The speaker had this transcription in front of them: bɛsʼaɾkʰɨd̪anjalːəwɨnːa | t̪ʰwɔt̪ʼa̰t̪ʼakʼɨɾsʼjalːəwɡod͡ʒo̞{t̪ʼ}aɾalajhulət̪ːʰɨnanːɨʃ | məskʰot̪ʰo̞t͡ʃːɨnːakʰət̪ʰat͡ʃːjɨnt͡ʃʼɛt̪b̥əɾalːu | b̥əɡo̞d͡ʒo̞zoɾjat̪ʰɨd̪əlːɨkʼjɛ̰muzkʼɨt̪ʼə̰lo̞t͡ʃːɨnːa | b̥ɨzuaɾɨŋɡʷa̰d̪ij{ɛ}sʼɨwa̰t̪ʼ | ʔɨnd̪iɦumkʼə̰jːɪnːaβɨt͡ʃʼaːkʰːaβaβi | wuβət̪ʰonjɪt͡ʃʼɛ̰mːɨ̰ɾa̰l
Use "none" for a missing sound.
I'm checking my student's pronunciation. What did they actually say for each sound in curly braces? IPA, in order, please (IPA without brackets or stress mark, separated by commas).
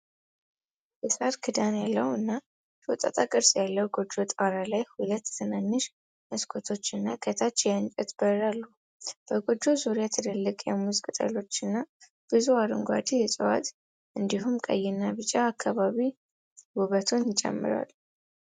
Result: t̪ʼ, ɛ